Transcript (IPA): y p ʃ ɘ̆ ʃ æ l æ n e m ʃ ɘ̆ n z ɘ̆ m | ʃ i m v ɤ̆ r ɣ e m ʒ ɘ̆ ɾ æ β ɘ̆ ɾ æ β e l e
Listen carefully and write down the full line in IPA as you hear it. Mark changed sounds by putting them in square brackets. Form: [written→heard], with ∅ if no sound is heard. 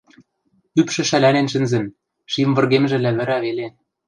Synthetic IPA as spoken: y p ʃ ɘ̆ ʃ æ l æ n e [m→n] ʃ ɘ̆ n z ɘ̆ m | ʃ i m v ɤ̆ r ɣ e m ʒ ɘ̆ [ɾ→l] æ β ɘ̆ ɾ æ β e l e